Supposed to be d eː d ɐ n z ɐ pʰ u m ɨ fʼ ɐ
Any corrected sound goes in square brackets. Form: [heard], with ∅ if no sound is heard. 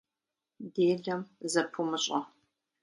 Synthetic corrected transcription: d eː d ɐ [m] z ɐ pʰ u m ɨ [ɕʼ] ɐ